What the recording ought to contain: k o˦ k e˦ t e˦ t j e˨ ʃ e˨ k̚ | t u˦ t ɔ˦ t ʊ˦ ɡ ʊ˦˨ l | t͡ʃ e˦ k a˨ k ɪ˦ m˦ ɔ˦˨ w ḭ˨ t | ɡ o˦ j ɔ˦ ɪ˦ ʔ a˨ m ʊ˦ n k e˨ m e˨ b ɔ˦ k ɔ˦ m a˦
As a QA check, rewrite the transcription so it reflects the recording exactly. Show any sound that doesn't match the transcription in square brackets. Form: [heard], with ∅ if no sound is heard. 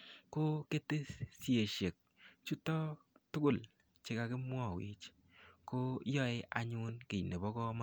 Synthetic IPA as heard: k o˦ k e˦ t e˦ [s] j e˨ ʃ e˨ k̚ | [t͡ʃ] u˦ t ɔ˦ t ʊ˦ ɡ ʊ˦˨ l | t͡ʃ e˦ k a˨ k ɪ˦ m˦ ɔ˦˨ w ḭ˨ [t͡ʃ] | [k] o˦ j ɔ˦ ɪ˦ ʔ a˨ [ɲ] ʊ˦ n k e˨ [n] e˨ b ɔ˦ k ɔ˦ m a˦